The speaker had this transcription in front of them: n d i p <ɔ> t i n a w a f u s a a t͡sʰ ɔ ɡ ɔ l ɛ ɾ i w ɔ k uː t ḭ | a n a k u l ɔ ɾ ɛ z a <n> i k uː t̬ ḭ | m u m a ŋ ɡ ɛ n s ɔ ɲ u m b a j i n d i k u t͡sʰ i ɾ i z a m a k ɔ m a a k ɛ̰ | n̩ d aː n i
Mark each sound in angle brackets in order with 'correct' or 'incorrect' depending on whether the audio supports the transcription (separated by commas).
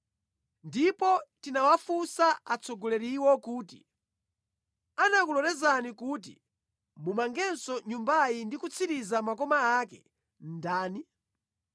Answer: correct, correct